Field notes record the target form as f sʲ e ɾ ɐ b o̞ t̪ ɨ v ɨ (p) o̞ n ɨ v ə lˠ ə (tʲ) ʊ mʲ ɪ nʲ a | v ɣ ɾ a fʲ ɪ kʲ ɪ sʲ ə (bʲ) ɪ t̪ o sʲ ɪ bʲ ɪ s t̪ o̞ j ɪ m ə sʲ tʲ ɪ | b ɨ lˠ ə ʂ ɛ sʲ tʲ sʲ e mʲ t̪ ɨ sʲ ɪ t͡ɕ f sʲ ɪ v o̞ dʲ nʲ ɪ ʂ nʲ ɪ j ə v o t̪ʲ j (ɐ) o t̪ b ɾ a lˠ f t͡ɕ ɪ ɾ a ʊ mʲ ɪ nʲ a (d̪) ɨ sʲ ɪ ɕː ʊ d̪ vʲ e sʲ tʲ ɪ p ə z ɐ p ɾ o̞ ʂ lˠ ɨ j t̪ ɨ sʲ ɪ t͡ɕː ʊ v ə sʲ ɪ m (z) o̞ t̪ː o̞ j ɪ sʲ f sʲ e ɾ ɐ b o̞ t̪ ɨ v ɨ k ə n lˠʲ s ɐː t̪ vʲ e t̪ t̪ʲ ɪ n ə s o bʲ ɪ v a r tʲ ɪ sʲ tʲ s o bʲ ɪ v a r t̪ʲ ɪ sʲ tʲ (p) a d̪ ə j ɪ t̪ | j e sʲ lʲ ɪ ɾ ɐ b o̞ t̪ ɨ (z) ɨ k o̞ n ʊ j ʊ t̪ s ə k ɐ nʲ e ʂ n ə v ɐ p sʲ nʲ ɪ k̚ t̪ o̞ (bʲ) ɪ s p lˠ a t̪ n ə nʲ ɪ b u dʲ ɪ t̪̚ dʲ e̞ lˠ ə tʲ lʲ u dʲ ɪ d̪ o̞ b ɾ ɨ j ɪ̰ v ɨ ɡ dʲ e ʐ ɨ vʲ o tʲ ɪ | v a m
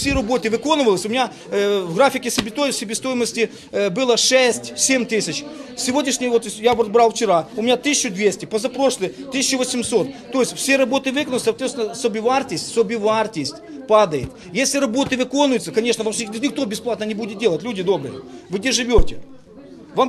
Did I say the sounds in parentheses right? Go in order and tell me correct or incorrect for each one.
incorrect: k, incorrect: sʲ, correct, incorrect: a, incorrect: t̪, incorrect: s, correct, incorrect: v, correct

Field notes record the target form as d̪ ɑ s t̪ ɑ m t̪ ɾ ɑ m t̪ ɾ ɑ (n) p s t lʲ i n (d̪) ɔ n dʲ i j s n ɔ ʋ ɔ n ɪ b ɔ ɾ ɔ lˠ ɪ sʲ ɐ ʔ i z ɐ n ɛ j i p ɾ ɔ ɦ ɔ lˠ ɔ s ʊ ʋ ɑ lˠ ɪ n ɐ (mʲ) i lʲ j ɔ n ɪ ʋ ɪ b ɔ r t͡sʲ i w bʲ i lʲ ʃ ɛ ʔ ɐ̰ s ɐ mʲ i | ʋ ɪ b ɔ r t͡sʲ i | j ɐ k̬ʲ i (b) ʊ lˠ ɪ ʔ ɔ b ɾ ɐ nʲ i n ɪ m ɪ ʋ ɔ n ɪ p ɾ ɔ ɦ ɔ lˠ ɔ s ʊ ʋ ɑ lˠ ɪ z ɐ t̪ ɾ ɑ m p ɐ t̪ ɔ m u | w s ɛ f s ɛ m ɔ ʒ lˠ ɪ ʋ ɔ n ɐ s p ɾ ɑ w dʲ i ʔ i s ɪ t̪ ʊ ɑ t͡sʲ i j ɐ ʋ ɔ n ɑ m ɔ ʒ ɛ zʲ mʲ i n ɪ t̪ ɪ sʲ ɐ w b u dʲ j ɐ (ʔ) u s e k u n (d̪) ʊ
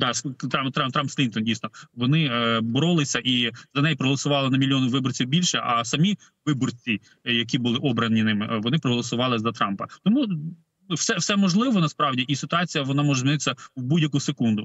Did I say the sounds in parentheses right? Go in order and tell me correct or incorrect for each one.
incorrect: m, incorrect: t̪, correct, correct, incorrect: k, correct

